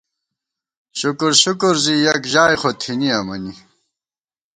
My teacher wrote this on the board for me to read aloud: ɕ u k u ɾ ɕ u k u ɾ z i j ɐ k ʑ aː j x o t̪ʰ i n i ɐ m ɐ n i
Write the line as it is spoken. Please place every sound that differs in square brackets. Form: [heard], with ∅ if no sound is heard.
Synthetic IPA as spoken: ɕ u k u ɾ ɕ u k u ɾ z i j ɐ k ʑ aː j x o t̪ʰ i n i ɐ m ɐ n i